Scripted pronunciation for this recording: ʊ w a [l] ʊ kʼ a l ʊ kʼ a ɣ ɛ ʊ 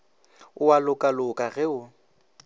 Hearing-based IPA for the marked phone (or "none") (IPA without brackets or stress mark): l